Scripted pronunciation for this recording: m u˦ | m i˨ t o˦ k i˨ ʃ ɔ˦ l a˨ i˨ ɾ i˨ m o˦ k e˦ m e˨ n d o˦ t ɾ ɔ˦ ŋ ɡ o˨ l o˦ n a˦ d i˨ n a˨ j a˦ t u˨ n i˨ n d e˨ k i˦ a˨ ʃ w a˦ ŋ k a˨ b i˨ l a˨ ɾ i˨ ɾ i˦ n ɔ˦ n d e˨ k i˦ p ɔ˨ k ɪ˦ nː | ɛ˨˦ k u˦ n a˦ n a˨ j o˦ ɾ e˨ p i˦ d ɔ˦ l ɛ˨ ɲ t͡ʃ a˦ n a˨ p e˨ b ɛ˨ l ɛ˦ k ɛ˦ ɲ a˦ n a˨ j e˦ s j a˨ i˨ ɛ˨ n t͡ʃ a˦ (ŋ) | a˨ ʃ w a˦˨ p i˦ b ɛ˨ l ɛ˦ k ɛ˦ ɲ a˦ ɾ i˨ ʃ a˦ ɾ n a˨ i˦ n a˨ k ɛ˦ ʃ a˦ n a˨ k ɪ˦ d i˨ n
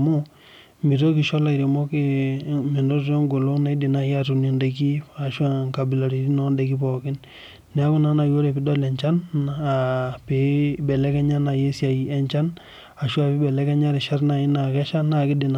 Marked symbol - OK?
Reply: no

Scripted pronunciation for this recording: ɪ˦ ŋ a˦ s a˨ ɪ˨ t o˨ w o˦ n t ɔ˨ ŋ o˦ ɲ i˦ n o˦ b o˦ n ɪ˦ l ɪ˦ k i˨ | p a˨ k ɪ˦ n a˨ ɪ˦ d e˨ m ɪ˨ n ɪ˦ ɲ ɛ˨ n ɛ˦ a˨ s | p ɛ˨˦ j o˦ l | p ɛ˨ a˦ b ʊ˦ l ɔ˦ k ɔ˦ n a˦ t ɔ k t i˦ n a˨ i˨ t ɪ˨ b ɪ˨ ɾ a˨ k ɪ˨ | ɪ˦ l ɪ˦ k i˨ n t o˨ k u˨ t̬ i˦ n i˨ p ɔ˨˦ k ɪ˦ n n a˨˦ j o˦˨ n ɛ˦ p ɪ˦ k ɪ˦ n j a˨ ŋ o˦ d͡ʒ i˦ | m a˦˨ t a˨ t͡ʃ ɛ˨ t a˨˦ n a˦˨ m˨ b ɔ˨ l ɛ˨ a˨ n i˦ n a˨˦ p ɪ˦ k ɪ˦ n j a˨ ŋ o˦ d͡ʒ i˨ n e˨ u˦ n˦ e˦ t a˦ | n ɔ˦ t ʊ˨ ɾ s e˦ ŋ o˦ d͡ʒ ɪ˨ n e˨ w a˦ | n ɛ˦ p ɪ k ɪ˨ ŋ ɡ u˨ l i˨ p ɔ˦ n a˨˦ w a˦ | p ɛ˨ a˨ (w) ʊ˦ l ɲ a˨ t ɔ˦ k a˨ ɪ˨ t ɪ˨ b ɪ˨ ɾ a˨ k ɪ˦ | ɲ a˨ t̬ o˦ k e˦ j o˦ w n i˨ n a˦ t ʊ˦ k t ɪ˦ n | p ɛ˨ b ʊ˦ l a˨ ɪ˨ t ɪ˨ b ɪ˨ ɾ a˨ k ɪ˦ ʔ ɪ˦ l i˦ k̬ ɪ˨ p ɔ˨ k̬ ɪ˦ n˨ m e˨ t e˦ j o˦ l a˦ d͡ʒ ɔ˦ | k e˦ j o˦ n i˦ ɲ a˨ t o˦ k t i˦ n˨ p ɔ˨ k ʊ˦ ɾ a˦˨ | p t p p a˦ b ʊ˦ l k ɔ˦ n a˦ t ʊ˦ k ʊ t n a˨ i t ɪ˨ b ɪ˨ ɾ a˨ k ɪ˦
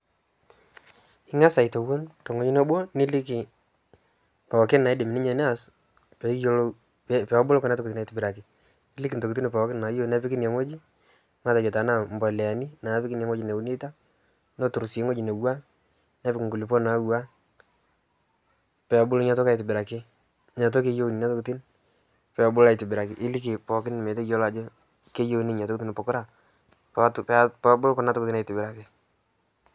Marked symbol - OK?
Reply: no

